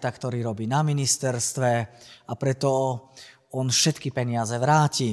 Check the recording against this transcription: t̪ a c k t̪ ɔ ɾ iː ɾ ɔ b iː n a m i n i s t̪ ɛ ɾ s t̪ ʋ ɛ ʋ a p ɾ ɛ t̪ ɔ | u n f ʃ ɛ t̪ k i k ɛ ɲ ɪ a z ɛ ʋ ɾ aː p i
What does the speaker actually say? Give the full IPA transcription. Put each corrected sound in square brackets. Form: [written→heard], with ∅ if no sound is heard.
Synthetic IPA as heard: t̪ a [c→∅] k t̪ ɔ ɾ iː ɾ ɔ b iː n a m i n i s t̪ ɛ ɾ s t̪ ʋ ɛ [ʋ→∅] a p ɾ ɛ t̪ ɔ | [u→ɔ] n f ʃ ɛ t̪ k i [k→p] ɛ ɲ ɪ a z ɛ ʋ ɾ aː [p→c] i